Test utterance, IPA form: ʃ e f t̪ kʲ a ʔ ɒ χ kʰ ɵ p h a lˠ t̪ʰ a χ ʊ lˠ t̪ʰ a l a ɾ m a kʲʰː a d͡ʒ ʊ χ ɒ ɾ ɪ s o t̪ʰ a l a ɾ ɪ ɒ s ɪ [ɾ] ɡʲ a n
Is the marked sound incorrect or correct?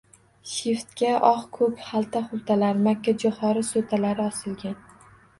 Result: incorrect